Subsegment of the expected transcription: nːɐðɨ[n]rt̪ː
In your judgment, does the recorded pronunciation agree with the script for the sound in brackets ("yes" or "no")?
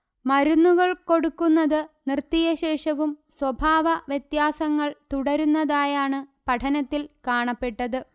yes